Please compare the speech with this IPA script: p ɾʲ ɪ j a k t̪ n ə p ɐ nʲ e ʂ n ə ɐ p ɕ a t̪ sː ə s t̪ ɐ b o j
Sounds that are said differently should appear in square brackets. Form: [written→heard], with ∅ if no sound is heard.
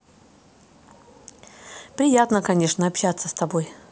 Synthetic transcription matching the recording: p ɾʲ ɪ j a [k→∅] t̪ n ə [p→k] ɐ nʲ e ʂ n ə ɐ p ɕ a t̪ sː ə s t̪ ɐ b o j